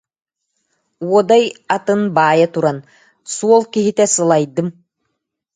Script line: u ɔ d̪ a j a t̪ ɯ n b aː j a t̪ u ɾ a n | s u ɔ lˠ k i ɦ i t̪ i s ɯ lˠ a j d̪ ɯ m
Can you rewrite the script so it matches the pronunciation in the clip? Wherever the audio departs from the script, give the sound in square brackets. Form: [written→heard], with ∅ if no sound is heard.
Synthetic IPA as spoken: u ɔ d̪ a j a t̪ ɯ n b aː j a t̪ u ɾ a n | s u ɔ lˠ k i ɦ i t̪ [i→ɛ] s ɯ lˠ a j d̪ ɯ m